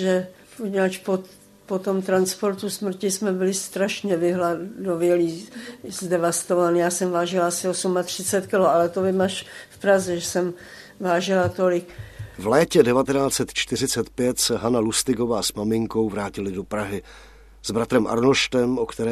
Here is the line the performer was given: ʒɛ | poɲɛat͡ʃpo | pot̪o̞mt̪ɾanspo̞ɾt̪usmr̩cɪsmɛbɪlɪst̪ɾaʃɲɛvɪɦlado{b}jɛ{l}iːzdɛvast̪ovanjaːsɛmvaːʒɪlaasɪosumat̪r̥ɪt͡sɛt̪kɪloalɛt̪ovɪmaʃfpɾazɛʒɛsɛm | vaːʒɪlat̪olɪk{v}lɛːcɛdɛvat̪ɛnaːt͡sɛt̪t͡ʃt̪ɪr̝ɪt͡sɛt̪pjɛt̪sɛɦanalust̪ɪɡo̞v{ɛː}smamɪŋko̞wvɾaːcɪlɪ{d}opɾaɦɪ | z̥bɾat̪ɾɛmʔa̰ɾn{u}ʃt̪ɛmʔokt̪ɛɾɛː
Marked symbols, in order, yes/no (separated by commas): no, yes, yes, no, yes, no